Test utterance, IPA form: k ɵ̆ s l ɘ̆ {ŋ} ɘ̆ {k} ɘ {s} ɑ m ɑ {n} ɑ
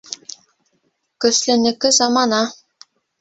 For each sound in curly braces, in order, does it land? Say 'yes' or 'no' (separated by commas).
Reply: no, yes, no, yes